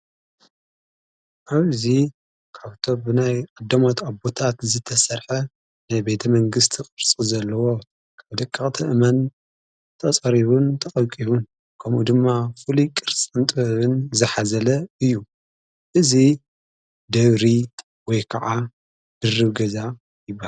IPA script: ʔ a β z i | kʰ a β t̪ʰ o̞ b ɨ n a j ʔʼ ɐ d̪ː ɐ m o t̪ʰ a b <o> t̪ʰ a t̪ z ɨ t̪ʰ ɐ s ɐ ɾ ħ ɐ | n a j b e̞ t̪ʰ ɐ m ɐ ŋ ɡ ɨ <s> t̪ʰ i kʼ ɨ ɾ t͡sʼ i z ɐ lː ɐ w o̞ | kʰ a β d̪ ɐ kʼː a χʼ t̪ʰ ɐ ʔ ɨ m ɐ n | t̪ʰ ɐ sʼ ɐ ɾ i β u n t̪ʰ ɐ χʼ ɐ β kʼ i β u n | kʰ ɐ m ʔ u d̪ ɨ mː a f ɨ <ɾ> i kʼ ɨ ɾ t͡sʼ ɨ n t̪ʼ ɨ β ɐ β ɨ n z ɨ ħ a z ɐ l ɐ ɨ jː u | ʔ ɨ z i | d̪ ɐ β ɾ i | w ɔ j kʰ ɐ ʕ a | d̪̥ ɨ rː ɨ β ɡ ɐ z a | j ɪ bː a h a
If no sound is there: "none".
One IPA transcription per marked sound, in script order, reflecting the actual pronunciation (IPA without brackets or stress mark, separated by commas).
o, s, l